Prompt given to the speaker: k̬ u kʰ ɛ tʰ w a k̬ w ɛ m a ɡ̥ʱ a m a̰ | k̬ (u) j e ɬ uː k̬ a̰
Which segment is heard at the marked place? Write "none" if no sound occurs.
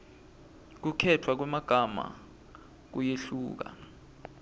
u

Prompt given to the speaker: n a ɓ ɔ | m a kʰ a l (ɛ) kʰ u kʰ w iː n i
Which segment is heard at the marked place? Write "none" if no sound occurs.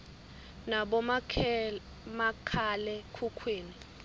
ɛ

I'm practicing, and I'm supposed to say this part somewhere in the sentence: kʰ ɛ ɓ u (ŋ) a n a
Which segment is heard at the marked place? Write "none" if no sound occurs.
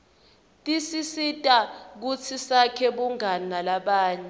ŋ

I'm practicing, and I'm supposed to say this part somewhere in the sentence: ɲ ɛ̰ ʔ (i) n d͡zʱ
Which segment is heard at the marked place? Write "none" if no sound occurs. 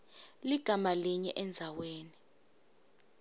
ɛ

